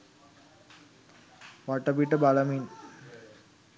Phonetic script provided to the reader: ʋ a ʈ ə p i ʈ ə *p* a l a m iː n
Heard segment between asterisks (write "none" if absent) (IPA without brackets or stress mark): b